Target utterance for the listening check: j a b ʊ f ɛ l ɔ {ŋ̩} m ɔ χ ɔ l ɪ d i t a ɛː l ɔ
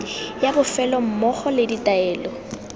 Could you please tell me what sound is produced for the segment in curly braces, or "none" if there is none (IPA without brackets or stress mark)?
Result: m̩